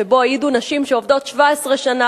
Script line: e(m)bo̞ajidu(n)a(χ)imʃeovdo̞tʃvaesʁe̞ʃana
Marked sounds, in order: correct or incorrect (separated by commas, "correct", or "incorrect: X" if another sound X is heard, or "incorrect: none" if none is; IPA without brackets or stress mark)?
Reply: incorrect: none, correct, incorrect: ʃ